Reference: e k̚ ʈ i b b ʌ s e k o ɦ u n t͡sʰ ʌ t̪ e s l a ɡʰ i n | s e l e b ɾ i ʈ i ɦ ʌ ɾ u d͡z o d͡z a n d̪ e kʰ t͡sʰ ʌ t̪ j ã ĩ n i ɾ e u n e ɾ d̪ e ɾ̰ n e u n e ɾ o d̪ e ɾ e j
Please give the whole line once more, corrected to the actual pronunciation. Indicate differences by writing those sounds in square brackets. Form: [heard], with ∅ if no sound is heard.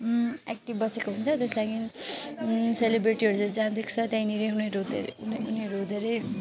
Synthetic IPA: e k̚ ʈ i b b ʌ s e k o ɦ u n t͡sʰ ʌ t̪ e s l a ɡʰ i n | s e l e b ɾ i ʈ i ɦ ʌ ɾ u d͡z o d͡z a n d̪ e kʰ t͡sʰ ʌ t̪ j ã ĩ n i ɾ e u n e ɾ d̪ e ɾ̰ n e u n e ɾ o d̪ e ɾ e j